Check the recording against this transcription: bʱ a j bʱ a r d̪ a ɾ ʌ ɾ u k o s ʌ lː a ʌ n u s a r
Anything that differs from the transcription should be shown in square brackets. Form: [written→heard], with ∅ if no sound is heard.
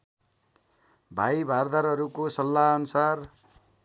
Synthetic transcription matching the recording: bʱ a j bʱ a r d̪ a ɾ ʌ ɾ u k o s ʌ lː a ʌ n u s a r